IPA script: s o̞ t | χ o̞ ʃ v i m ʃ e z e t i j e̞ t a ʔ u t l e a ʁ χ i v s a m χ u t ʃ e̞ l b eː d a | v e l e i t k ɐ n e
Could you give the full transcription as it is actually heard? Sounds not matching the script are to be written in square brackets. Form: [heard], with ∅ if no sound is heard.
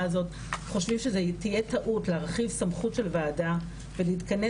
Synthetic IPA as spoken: [z] o̞ t | χ o̞ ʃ v i m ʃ e z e t i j e̞ t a ʔ u t l e a ʁ χ i v s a m χ u t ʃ e̞ l [v] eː d a | v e l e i t k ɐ n e